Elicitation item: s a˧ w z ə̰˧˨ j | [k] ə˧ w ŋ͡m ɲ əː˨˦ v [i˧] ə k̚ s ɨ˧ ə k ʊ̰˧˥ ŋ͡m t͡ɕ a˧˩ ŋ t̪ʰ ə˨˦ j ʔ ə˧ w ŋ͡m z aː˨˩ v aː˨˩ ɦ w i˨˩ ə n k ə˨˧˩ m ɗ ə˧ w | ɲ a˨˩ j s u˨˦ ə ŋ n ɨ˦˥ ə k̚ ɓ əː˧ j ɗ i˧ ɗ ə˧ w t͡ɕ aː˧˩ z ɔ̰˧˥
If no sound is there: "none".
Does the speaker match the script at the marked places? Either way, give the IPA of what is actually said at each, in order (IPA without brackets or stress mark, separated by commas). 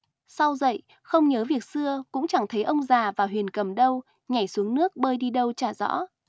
x, i˨˩